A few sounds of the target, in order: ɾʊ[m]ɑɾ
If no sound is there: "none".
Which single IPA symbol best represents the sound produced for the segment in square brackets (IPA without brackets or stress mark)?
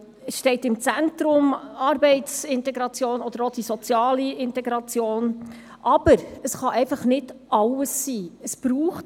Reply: m